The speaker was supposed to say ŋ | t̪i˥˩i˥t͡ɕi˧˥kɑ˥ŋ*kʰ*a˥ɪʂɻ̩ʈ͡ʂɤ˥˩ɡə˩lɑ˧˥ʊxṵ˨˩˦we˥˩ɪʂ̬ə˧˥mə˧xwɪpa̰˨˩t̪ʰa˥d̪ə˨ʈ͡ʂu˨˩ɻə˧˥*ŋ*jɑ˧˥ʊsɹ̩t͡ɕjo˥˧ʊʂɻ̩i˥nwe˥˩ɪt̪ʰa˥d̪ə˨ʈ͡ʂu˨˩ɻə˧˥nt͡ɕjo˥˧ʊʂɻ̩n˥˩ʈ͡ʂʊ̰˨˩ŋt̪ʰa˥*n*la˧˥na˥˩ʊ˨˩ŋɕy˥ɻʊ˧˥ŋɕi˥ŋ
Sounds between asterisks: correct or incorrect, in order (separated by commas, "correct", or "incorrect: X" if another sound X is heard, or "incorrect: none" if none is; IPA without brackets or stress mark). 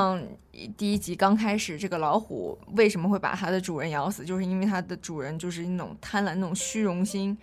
correct, incorrect: n, correct